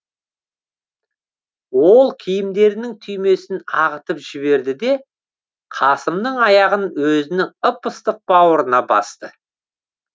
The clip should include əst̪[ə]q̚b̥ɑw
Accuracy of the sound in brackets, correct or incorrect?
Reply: correct